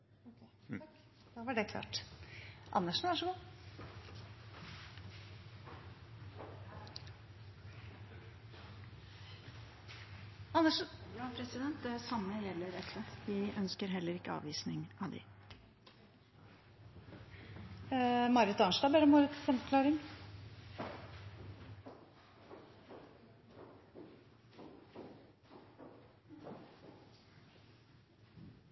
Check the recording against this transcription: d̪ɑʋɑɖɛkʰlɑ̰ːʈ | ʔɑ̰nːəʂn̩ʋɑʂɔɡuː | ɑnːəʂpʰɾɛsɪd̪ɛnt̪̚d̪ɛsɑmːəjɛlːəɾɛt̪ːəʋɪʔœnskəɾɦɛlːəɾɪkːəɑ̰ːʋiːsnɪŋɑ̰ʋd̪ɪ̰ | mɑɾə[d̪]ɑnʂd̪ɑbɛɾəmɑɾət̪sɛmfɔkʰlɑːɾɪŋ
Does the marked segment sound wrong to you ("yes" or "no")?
yes